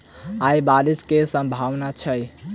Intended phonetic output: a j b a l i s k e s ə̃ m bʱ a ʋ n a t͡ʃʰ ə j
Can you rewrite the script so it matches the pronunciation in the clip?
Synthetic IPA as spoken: a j b a ɾ i s k e s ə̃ m bʱ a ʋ n a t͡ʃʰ ə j